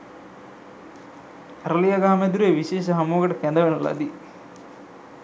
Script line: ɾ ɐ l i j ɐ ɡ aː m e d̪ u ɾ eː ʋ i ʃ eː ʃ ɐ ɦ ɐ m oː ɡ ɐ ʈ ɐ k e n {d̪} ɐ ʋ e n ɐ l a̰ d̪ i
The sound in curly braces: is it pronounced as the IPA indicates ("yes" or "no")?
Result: yes